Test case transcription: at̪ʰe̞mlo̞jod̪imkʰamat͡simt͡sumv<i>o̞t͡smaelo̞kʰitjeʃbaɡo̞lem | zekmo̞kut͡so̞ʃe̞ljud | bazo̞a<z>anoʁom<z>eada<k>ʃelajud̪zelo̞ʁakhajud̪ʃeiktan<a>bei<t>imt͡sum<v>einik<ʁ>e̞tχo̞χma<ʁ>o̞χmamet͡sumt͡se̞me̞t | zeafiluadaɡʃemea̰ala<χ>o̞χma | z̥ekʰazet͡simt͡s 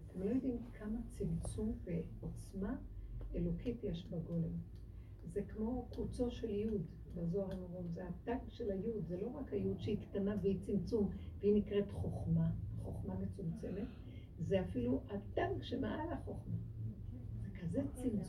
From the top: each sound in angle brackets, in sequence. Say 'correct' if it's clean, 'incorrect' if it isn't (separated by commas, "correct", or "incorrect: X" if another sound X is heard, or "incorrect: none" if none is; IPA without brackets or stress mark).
incorrect: e, incorrect: ʁ, correct, incorrect: ɡ, correct, incorrect: t͡s, correct, correct, incorrect: χ, correct